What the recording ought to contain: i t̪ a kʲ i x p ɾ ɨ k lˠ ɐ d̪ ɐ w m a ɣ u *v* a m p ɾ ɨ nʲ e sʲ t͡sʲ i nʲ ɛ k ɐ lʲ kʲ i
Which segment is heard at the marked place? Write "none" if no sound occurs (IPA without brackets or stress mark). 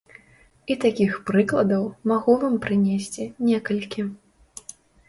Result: v